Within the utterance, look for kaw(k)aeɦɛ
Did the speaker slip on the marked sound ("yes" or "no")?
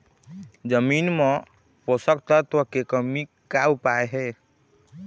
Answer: yes